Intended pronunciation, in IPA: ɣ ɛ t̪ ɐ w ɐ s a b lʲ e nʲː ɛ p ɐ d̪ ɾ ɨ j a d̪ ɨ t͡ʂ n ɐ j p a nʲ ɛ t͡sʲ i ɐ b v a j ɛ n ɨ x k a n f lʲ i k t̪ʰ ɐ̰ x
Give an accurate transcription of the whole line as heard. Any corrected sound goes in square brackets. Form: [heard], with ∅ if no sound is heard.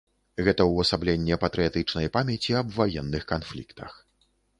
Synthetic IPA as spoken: ɣ ɛ t̪ ɐ w ɐ s a b lʲ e nʲː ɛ p ɐ [t̪] ɾ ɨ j a [t̪] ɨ t͡ʂ n ɐ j p a [mʲ] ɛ t͡sʲ i ɐ b v a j ɛ [nː] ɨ x k a n f lʲ i k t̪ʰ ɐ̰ x